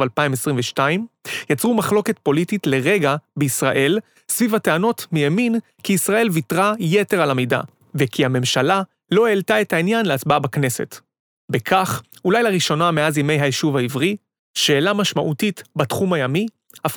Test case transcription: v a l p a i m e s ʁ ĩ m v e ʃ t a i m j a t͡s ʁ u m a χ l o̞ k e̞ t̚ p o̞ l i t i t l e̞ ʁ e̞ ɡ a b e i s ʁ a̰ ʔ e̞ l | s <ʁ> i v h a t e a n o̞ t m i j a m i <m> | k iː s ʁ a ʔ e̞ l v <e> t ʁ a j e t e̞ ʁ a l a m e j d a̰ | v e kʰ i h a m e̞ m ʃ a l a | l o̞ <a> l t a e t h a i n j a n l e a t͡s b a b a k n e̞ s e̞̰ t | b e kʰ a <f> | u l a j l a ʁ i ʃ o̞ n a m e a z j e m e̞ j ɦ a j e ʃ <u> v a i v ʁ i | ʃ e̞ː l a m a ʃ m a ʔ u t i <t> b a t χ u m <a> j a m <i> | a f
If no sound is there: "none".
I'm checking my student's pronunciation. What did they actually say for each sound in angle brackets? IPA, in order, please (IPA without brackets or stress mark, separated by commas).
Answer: v, n, i, e, χ, u, t, a, i